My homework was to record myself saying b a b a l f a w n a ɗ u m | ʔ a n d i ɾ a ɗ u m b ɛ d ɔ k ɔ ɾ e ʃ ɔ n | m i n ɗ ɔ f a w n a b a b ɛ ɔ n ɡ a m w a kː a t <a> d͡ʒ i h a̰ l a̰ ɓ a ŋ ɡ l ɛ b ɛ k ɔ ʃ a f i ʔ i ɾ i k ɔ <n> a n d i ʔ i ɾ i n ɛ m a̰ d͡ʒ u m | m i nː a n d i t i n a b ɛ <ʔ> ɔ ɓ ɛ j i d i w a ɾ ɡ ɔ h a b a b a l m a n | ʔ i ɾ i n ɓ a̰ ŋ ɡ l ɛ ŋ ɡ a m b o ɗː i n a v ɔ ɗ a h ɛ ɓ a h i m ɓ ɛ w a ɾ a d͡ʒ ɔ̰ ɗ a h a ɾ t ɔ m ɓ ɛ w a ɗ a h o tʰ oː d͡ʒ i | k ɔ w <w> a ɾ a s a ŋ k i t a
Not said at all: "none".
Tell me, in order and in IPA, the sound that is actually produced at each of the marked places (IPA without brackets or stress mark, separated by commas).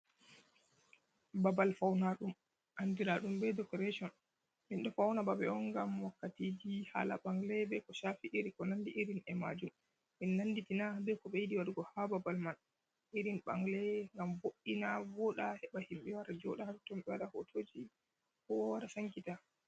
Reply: i, n, k, w